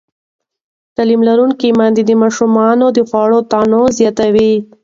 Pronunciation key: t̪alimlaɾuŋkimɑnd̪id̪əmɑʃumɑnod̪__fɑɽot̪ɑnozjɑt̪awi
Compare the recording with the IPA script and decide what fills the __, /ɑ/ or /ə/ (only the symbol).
ə